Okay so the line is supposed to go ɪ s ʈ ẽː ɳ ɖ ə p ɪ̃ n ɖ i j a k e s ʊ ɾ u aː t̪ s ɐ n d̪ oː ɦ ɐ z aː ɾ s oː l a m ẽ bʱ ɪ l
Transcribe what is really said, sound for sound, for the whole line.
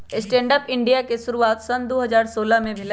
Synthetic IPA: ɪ s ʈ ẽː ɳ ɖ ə p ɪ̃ ɳ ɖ i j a k e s ʊ ɾ u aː t̪ s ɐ n d̪ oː ɦ ɐ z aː ɾ s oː l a m ẽ bʱ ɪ l